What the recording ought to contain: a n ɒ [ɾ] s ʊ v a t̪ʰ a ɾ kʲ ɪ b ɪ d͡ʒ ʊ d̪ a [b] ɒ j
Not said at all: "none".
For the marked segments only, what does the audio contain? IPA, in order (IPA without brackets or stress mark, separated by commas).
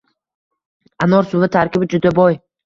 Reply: ɾ, b